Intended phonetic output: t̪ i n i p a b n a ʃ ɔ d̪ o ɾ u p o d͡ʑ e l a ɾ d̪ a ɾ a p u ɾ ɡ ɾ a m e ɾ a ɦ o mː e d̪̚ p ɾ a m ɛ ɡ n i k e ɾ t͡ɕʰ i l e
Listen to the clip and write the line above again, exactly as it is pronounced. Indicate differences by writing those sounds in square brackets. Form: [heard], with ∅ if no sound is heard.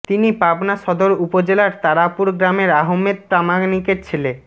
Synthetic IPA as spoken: t̪ i n i p a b n a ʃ ɔ d̪ o ɾ u p o d͡ʑ e l a ɾ [t̪] a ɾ a p u ɾ ɡ ɾ a m e ɾ a ɦ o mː e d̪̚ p ɾ a m [a] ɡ n i k e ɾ t͡ɕʰ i l e